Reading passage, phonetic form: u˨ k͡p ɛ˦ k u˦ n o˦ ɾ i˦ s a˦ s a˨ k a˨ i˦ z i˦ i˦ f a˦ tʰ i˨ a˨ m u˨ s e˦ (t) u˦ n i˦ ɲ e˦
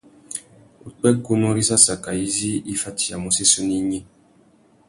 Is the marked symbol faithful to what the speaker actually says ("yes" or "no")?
no